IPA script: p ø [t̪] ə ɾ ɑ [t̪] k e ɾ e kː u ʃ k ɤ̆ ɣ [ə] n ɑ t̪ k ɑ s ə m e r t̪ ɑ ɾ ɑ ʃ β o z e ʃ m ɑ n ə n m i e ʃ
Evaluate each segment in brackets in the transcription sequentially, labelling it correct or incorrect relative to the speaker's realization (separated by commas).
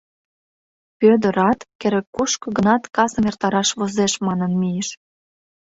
incorrect, correct, correct